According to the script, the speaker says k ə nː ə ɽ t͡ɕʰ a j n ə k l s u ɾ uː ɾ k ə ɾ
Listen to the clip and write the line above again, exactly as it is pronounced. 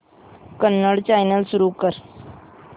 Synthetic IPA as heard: k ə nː ə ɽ t͡ɕ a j n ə l s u ɾ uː k ə ɾ